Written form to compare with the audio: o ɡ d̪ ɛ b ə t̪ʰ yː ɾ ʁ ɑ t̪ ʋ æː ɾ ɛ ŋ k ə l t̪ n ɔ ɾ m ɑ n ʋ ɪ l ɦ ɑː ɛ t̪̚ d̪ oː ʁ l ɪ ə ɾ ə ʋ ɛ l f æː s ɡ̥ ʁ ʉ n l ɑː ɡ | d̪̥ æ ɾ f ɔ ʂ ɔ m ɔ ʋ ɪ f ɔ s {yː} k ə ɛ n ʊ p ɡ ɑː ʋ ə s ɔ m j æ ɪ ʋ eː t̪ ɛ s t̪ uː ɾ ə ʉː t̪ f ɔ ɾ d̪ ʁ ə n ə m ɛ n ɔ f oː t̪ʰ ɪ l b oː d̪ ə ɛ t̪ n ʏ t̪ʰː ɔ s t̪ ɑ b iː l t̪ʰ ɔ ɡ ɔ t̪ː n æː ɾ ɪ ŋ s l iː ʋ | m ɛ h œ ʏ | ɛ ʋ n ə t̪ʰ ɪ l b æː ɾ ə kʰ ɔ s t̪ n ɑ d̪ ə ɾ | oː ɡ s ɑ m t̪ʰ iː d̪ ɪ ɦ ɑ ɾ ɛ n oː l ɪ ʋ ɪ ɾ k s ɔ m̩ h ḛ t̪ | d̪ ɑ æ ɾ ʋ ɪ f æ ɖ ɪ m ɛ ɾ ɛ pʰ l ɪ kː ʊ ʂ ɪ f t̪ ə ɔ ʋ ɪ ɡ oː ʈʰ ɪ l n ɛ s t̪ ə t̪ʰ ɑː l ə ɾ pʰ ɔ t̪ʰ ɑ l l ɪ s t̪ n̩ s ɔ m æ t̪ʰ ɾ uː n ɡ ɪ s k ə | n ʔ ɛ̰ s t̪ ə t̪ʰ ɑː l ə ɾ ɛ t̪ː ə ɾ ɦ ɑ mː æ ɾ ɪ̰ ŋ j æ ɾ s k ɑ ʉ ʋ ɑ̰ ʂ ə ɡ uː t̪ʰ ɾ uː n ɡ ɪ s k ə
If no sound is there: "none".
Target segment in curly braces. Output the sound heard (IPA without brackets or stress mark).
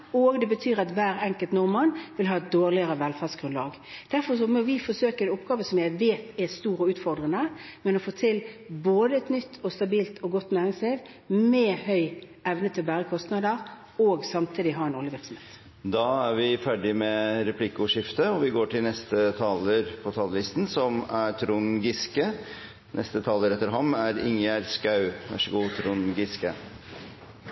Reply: øː